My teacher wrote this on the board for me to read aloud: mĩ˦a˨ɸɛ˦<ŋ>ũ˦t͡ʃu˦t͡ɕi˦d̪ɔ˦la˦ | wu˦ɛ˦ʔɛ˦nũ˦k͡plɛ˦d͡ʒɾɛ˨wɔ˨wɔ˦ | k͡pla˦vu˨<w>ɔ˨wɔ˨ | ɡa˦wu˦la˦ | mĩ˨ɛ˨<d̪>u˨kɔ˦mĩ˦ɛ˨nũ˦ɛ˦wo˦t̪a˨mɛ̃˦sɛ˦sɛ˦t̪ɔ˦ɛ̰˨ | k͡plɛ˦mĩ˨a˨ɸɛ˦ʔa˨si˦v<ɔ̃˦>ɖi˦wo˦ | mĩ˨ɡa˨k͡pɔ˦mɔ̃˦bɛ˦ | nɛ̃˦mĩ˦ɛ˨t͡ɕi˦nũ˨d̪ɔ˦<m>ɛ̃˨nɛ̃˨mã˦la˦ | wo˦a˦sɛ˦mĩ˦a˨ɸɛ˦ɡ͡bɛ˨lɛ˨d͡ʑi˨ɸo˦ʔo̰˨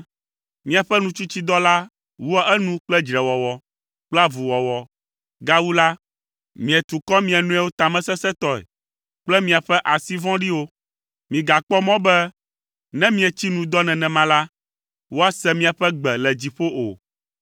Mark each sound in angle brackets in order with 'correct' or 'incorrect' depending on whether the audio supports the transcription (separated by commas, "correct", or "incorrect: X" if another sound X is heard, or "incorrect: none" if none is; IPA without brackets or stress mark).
incorrect: n, correct, incorrect: t̪, correct, incorrect: n